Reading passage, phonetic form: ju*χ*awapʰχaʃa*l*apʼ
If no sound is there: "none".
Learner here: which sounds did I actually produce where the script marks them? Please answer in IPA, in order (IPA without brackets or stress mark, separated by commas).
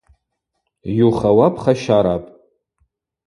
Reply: χ, ɾ